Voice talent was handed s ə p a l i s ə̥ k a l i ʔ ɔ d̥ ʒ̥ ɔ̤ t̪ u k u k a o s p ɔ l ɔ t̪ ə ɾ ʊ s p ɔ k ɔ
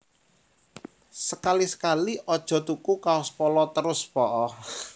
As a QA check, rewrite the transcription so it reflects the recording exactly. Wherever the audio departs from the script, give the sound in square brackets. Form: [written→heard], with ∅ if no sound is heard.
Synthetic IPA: s ə [p→k] a l i s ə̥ k a l i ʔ ɔ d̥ ʒ̥ ɔ̤ t̪ u k u k a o s p ɔ l ɔ t̪ ə ɾ ʊ s p ɔ [k→ʔ] ɔ